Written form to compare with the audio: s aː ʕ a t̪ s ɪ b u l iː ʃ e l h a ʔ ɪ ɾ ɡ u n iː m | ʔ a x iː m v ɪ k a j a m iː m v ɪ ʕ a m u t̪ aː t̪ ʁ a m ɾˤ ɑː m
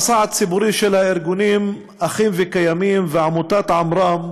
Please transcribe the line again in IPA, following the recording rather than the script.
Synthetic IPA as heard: s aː ʕ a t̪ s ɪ b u ɾ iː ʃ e l h a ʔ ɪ ɾ ɡ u n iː m | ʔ a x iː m v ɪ k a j a m iː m v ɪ ʕ a m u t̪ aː t̪ ʕ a m ɾˤ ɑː m